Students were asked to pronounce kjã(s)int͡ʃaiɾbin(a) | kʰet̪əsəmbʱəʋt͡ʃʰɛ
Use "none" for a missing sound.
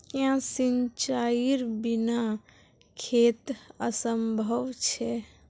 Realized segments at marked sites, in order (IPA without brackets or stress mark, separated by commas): s, a